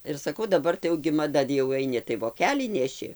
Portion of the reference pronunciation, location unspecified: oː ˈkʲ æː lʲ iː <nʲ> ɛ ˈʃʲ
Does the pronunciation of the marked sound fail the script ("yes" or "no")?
no